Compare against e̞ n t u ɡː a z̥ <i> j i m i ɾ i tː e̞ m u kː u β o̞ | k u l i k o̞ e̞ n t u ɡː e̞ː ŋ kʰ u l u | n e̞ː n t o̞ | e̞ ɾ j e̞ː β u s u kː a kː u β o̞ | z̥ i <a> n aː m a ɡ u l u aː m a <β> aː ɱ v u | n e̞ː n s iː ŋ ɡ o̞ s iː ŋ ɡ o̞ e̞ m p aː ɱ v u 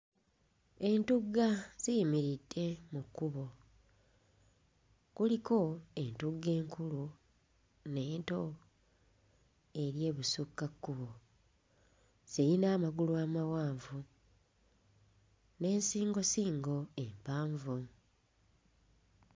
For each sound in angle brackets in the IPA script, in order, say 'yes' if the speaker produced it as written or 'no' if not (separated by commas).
yes, no, no